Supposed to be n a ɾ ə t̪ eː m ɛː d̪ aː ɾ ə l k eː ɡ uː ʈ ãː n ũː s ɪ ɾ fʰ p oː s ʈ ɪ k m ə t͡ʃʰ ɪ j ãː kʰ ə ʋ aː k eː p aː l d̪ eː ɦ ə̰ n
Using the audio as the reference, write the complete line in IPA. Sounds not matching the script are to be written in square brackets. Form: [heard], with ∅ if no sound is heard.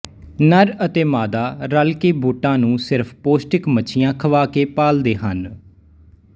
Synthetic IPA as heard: n [ə] ɾ ə t̪ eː m [aː] d̪ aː ɾ ə l k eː [b] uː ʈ ãː n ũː s ɪ ɾ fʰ p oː s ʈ ɪ k m ə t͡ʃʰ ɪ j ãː kʰ ə ʋ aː k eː p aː l d̪ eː ɦ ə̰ n